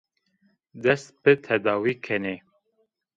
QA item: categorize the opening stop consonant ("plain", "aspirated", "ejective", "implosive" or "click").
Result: plain